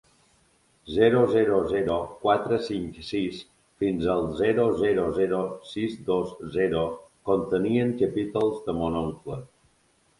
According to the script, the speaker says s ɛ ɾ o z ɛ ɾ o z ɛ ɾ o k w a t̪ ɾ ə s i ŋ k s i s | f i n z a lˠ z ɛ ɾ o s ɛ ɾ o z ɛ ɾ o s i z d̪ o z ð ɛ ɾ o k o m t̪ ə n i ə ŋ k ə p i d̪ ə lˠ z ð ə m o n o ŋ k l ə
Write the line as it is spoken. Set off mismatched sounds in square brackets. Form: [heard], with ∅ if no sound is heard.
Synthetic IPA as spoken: [z] ɛ ɾ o z ɛ ɾ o z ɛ ɾ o k w a t̪ ɾ ə s i ŋ k s i s | f i n z [ə] lˠ z ɛ ɾ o [z] ɛ ɾ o z ɛ ɾ o s i z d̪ o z [z] ɛ ɾ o k o [n] t̪ ə n i ə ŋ k ə p i [t̪] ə lˠ z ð ə m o n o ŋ k l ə